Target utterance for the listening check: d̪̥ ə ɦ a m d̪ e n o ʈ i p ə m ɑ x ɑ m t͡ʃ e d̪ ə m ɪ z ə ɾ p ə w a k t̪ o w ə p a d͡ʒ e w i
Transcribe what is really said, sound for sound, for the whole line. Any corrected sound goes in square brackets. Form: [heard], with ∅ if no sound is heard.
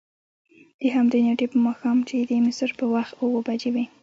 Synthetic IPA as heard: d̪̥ ə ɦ a m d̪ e n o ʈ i p ə m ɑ x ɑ m t͡ʃ e d̪ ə m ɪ [s] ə ɾ p ə w a [x] t̪ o w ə [b] a d͡ʒ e w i